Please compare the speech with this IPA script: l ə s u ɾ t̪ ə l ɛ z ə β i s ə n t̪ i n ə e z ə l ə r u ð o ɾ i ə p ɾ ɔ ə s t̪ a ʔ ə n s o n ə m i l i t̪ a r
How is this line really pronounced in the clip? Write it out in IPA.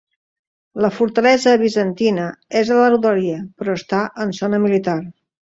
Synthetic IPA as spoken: l ə f u ɾ t̪ ə l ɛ z ə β i z ə n t̪ i n ə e z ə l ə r u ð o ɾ i ə p ɾ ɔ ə s t̪ a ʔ ə n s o n ə m i l i t̪ a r